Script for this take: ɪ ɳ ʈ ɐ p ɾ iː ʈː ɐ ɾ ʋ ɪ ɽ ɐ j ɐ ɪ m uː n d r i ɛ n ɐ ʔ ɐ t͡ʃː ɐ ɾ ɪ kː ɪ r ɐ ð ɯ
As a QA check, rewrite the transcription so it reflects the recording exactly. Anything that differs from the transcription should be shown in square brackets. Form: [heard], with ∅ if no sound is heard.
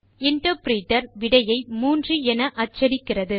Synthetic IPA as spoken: ɪ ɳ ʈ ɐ p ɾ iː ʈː ɐ ɾ ʋ ɪ ɽ ɐ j ɐ ɪ m uː n d r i ɛ n ɐ ʔ ɐ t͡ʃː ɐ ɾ ɪ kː ɪ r ɐ ð ɯ